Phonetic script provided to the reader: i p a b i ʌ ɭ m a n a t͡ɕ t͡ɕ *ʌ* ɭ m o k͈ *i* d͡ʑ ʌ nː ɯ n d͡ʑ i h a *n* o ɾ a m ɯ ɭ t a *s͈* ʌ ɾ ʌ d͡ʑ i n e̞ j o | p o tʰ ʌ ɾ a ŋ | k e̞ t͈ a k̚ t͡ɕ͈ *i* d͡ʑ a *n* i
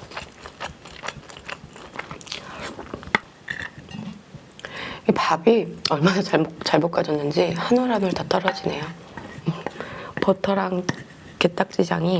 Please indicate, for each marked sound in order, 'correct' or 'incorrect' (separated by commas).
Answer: incorrect, incorrect, correct, incorrect, correct, incorrect